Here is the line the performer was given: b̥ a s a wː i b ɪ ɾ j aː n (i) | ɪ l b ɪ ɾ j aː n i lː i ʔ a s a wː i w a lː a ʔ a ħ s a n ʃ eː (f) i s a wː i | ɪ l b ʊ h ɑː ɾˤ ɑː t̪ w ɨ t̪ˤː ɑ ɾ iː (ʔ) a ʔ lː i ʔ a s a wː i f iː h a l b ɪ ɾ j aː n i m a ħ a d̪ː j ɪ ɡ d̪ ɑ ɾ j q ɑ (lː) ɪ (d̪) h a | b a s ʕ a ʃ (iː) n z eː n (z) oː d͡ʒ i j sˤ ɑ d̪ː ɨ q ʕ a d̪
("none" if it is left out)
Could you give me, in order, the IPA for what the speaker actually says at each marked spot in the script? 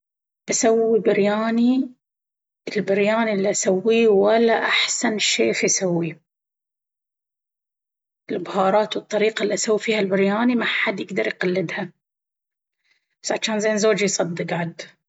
i, f, q, lː, d̪, aː, z

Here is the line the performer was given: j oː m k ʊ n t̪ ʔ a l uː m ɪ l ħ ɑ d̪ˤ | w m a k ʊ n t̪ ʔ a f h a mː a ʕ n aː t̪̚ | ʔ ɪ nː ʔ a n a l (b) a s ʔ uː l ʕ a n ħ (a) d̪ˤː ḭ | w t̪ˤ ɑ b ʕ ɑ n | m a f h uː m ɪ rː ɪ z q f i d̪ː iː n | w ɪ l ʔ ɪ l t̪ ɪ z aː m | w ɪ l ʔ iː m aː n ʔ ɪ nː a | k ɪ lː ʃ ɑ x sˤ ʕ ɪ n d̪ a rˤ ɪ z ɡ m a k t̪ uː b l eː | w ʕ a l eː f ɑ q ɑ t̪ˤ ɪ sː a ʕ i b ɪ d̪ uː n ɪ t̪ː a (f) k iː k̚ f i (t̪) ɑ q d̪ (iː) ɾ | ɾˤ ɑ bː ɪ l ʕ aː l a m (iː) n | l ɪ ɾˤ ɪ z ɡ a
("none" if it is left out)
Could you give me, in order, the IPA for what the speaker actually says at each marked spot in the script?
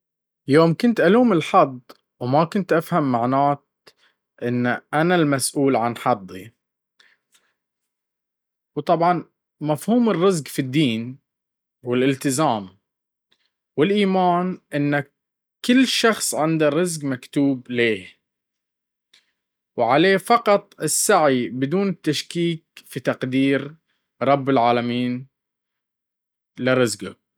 m, ɑ, ʃ, t̪, iː, iː

